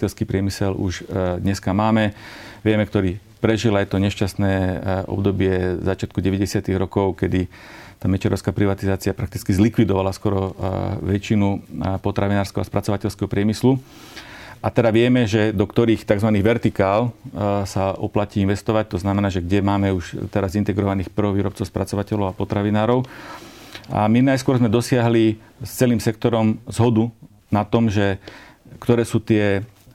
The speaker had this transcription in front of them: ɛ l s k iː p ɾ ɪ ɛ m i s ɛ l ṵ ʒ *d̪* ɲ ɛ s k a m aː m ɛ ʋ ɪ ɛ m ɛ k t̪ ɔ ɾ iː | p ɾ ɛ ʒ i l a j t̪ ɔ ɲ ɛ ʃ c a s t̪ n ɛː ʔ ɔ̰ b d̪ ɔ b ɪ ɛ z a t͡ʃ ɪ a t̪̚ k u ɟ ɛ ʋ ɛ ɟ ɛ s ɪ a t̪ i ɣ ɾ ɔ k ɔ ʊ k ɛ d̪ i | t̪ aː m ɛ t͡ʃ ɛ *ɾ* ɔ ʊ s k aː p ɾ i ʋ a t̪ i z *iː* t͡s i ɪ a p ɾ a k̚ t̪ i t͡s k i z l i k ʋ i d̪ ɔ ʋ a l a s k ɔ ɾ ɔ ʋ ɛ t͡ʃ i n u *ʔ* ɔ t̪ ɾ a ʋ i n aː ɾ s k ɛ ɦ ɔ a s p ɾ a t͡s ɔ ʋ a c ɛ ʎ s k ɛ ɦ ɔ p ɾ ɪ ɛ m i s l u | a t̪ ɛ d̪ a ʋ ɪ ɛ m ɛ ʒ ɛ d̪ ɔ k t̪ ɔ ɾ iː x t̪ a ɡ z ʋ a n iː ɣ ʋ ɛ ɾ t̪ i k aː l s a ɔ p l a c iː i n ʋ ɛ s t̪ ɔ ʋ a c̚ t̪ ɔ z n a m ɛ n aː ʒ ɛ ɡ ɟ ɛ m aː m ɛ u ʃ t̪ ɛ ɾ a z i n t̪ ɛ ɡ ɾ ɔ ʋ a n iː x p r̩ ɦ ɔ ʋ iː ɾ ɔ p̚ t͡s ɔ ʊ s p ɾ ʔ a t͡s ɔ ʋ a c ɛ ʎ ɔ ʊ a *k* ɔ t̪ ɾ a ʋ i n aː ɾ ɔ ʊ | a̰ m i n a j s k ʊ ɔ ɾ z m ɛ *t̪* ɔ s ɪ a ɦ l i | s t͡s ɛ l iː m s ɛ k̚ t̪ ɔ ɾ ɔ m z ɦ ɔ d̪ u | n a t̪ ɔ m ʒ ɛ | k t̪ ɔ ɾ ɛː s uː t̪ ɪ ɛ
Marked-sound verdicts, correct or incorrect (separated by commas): correct, correct, incorrect, incorrect, incorrect, incorrect